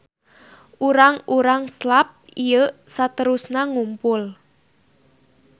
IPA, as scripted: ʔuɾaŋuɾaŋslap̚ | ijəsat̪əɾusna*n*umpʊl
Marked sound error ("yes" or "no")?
yes